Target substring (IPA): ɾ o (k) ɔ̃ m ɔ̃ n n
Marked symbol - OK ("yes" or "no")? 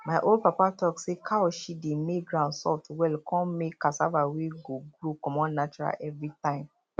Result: yes